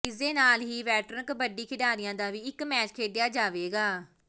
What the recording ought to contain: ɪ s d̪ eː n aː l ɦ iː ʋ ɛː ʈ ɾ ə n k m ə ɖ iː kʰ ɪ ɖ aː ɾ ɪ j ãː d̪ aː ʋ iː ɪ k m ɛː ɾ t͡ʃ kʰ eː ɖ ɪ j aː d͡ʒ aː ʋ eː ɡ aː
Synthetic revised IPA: ɪ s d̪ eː n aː l ɦ iː ʋ ɛː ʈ ɾ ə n k b ə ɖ iː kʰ ɪ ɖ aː ɾ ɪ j ãː d̪ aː ʋ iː ɪ k m ɛː t͡ʃ kʰ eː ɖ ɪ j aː d͡ʒ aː ʋ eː ɡ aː